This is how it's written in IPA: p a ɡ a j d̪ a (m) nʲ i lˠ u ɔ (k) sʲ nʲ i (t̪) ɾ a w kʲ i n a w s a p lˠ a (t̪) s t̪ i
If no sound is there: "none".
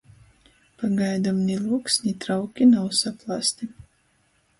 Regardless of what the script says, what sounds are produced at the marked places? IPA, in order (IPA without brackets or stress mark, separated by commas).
m, k, t̪, none